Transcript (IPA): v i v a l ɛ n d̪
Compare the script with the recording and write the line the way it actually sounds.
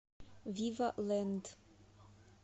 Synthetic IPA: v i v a l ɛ n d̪